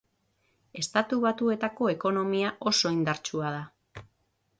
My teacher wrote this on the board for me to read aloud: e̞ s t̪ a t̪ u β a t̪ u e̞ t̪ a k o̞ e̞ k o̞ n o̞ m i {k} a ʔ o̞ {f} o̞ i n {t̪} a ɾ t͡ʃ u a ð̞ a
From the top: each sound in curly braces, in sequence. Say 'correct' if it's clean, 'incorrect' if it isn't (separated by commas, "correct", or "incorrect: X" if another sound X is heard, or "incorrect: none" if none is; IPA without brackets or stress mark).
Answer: incorrect: none, incorrect: s, incorrect: d̪